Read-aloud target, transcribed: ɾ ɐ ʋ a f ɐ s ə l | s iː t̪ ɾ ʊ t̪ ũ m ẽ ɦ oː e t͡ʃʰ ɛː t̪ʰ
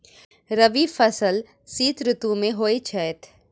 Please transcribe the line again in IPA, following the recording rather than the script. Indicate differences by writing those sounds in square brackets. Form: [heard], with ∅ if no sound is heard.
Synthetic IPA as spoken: ɾ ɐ ʋ [i] f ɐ s ə l | s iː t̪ ɾ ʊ t̪ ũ m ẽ ɦ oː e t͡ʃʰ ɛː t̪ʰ